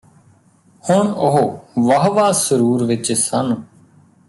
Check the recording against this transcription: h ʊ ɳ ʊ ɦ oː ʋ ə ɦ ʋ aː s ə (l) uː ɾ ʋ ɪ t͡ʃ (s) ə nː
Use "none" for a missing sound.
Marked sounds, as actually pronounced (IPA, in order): ɾ, s

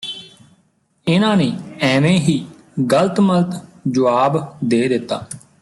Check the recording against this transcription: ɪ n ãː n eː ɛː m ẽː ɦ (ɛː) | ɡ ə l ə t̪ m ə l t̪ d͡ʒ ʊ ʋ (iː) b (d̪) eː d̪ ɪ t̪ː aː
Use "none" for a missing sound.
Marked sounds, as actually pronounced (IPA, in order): iː, aː, d̪

